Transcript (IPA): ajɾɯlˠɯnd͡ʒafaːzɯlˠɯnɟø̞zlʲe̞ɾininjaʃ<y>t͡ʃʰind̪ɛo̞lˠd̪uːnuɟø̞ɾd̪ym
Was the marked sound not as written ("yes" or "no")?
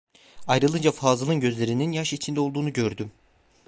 yes